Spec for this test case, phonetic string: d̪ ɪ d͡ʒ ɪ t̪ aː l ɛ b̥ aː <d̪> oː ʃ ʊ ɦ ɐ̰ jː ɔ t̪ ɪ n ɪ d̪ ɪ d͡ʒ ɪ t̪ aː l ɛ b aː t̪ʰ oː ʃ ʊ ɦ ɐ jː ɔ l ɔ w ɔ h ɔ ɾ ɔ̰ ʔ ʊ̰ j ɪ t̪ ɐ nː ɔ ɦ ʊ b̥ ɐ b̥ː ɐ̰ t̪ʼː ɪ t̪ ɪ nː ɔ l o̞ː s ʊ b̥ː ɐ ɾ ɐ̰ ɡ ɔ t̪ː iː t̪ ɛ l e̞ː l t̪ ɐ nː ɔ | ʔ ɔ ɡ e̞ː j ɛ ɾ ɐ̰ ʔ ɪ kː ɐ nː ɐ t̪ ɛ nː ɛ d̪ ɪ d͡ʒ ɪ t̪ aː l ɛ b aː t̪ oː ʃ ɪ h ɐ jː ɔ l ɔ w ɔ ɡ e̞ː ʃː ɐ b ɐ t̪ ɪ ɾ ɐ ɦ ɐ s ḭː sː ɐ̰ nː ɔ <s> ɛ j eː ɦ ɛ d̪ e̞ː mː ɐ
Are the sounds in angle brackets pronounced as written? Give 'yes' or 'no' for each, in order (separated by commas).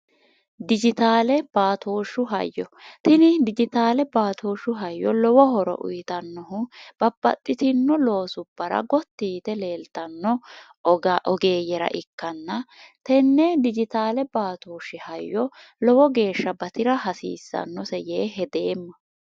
no, yes